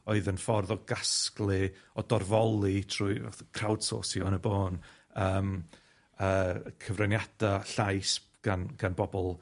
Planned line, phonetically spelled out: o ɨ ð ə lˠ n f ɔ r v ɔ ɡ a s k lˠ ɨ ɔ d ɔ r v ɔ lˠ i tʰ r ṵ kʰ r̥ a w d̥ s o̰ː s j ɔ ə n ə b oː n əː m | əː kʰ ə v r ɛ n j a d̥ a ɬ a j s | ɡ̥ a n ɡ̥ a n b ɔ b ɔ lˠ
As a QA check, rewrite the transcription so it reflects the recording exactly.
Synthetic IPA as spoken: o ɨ ð ə n f ɔ r ð ɔ ɡ a s k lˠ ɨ ɔ d ɔ r v ɔ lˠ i tʰ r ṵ kʰ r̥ a w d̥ s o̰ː s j ɔ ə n ə b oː n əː m | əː kʰ ə v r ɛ n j a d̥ a ɬ a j s | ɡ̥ a n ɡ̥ a n b ɔ b ɔ lˠ